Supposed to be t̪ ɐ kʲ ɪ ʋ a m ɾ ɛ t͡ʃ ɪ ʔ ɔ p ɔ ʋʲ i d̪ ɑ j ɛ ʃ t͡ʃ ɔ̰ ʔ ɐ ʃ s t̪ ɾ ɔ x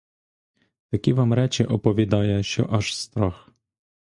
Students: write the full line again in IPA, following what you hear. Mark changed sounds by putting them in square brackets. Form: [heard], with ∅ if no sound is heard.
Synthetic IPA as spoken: t̪ ɐ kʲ [i] ʋ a m ɾ ɛ t͡ʃ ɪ ʔ ɔ p ɔ ʋʲ i d̪ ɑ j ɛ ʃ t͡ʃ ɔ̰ ʔ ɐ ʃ s t̪ ɾ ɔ x